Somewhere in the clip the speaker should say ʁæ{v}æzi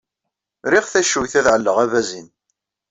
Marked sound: correct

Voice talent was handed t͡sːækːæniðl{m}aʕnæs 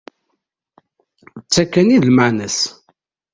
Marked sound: correct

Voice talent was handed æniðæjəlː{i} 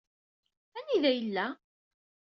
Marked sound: incorrect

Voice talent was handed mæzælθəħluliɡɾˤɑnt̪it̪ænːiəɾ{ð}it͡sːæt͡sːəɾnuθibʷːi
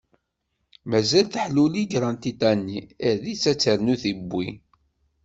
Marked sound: correct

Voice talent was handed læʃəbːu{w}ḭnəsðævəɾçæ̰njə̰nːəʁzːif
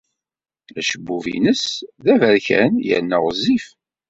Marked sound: incorrect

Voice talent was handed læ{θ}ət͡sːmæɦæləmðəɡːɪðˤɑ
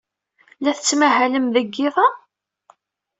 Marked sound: correct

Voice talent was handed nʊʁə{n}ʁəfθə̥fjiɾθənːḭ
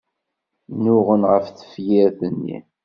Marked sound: correct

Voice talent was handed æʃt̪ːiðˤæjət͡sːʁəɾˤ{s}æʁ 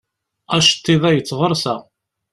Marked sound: correct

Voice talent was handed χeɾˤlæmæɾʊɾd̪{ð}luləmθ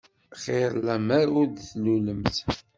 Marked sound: incorrect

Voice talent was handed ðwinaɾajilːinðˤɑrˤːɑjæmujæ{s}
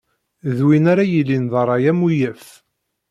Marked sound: incorrect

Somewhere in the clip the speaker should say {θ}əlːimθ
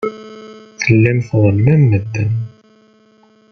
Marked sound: correct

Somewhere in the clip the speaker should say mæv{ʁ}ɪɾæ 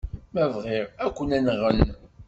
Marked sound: correct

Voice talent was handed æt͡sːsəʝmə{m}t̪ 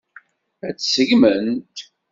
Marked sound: incorrect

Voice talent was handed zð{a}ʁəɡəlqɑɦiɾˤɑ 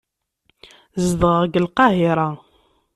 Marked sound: incorrect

